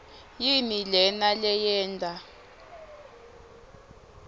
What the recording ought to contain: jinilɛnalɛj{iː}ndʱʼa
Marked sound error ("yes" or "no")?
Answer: yes